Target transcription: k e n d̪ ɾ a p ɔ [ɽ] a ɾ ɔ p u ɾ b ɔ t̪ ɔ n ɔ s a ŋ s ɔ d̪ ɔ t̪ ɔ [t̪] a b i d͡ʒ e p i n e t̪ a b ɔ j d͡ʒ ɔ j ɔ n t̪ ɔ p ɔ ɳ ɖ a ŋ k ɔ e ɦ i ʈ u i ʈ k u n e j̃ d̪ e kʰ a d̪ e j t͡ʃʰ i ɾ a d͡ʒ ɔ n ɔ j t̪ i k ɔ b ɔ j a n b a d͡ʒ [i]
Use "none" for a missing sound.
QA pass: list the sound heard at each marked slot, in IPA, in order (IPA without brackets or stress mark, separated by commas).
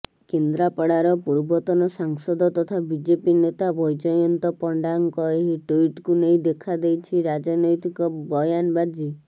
ɽ, t̪ʰ, i